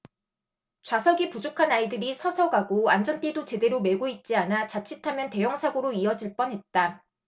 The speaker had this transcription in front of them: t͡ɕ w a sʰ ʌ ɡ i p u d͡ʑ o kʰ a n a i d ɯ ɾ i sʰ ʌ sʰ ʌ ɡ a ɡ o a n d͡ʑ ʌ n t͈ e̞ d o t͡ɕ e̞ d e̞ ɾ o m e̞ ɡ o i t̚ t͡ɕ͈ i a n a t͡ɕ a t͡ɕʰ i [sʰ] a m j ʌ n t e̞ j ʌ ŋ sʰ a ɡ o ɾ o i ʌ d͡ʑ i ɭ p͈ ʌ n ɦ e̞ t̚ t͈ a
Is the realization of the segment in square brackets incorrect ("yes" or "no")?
yes